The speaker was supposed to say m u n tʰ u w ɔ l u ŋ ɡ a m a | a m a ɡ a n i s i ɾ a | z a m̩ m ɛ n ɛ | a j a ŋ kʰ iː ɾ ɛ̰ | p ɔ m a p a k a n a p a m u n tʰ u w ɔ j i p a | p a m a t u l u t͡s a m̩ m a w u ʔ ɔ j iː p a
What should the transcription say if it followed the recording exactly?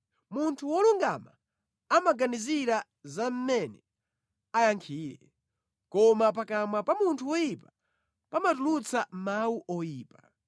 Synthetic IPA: m u n tʰ u w ɔ l u ŋ ɡ a m a | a m a ɡ a n i z i ɾ a | z a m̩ m ɛ n ɛ | a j a ŋ kʰ iː ɾ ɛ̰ | k ɔ m a p a k a m a p a m u n tʰ u w ɔ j i p a | p a m a t u l u t͡s a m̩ m a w u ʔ ɔ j iː p a